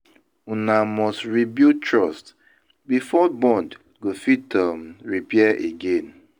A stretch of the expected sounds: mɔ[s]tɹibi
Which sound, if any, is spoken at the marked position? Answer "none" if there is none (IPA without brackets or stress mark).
s